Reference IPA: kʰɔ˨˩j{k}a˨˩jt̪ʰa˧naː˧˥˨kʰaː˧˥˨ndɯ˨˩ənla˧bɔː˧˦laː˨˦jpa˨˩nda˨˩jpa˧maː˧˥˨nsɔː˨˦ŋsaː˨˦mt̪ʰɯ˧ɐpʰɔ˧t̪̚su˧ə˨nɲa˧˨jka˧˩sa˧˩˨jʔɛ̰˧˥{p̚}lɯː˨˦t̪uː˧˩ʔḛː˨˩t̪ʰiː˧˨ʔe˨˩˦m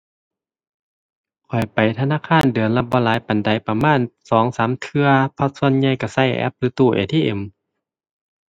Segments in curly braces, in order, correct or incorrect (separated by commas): incorrect, correct